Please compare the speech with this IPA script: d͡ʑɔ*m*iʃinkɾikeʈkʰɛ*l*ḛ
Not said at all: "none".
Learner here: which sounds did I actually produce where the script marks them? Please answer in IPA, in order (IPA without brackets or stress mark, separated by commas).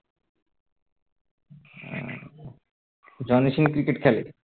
n, l